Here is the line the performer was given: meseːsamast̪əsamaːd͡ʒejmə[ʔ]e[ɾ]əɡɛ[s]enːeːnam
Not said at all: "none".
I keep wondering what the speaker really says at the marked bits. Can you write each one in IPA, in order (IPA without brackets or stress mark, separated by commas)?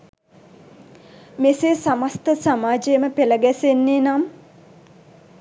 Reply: p, l, s